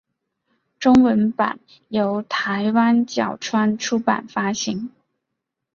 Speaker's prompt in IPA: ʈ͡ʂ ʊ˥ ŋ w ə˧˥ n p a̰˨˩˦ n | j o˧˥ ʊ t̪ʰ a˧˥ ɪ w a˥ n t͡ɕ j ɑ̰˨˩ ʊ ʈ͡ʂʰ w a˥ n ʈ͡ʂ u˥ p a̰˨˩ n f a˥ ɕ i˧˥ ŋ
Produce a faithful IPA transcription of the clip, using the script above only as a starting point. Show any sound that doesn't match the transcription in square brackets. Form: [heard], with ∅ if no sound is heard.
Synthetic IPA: ʈ͡ʂ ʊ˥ ŋ w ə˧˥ n p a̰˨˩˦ n | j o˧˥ ʊ t̪ʰ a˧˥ ɪ w a˥ n t͡ɕ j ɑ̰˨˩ ʊ ʈ͡ʂʰ w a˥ n [ʈ͡ʂʰ] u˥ p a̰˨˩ n f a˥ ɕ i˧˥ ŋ